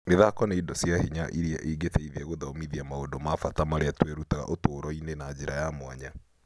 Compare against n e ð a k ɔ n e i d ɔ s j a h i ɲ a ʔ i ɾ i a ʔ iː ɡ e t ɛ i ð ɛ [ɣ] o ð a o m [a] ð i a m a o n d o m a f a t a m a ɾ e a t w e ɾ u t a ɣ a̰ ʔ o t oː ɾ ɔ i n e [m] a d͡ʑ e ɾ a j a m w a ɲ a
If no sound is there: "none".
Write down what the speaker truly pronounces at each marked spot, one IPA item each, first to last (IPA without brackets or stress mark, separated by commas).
ɣ, i, n